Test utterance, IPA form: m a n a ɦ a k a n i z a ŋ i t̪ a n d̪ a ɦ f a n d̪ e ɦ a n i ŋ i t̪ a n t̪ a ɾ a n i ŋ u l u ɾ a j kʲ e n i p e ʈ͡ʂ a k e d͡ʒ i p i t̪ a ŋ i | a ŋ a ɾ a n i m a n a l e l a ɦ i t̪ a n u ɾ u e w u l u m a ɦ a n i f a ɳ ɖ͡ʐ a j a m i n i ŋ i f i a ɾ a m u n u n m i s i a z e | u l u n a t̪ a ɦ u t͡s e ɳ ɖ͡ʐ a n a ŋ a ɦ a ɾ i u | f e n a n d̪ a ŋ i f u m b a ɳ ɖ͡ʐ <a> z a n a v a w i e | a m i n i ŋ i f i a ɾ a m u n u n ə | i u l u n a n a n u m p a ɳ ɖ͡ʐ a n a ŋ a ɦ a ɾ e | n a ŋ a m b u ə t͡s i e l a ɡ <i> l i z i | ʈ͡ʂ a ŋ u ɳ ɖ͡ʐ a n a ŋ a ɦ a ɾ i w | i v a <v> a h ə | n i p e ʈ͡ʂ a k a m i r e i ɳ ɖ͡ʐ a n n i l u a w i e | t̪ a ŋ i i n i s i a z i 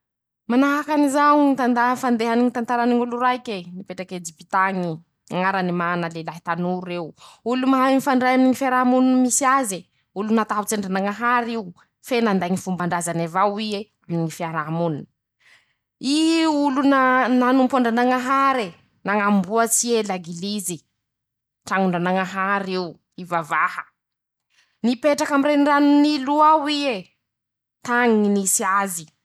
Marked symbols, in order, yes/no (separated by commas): yes, yes, yes